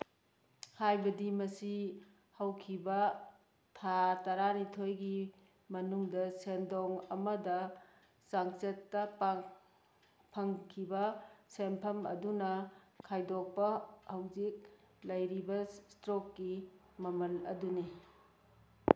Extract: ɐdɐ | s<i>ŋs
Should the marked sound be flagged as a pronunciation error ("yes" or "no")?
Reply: yes